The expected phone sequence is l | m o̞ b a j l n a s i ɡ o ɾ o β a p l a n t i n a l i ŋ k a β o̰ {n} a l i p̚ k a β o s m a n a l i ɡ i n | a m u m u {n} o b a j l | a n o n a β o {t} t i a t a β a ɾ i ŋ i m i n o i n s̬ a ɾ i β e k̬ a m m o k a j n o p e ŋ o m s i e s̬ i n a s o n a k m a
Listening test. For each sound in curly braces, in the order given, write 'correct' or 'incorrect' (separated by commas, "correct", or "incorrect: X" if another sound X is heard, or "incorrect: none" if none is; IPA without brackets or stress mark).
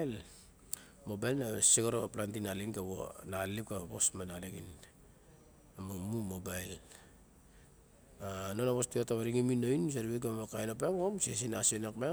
correct, incorrect: m, incorrect: s